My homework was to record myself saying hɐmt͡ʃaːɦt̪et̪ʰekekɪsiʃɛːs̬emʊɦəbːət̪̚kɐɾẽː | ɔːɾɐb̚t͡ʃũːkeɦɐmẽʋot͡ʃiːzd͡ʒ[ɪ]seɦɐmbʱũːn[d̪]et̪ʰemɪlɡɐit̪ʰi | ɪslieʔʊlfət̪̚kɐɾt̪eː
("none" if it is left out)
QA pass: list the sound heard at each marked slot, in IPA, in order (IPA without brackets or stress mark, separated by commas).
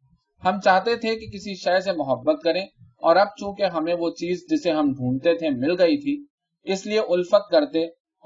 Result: ɪ, t̪